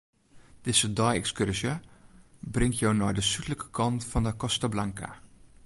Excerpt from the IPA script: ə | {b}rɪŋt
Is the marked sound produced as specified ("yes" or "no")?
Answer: yes